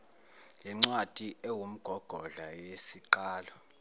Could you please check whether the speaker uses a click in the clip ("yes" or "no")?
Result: yes